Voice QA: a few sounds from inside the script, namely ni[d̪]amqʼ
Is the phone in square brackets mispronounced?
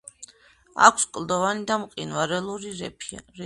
no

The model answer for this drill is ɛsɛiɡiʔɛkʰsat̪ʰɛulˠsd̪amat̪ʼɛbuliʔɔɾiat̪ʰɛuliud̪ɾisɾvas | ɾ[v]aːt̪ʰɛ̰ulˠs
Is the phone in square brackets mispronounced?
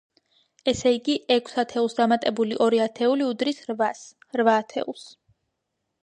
no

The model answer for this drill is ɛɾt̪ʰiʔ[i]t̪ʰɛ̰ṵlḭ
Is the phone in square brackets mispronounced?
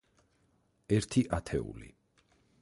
yes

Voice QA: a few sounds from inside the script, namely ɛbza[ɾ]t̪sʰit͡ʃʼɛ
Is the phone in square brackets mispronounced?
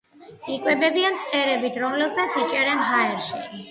yes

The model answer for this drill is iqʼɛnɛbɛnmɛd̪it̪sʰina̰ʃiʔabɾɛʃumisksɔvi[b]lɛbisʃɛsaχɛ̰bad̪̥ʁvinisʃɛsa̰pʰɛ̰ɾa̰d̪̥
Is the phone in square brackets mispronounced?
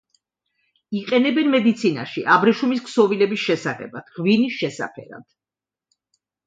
yes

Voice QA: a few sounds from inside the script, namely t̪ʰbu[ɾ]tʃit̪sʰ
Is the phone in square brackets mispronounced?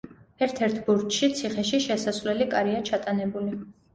no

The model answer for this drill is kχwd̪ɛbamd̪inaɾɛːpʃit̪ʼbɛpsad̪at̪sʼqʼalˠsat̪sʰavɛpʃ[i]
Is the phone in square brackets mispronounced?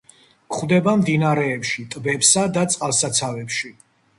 no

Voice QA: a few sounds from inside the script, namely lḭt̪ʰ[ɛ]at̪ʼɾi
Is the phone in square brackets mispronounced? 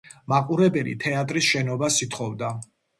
no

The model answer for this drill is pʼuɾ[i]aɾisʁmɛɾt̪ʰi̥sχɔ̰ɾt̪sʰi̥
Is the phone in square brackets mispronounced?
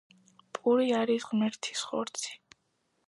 no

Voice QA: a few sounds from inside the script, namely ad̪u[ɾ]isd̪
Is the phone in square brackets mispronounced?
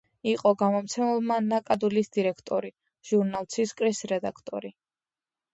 yes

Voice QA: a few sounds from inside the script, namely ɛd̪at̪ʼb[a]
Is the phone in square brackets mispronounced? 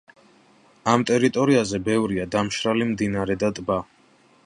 no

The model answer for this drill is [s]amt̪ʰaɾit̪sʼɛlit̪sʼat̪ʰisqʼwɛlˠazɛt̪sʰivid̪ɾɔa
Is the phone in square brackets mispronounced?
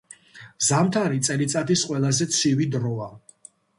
yes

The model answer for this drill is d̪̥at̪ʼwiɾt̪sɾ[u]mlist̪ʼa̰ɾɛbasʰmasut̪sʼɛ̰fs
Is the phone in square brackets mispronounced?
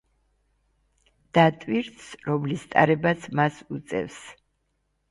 yes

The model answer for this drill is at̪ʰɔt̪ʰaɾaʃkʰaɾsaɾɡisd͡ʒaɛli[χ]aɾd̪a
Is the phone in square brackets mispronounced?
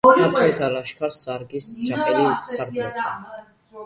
yes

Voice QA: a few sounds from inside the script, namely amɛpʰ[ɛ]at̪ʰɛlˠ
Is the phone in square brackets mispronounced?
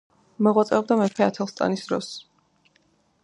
no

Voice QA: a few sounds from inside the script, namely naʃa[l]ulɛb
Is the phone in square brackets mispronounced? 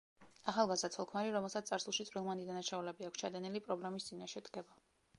yes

